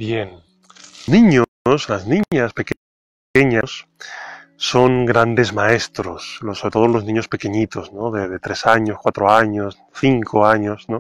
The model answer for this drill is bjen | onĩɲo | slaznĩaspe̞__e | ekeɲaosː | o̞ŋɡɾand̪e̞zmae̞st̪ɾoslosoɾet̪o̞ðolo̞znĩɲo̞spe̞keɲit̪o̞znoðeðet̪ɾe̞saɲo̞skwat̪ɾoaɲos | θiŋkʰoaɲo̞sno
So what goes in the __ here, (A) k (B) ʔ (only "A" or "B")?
A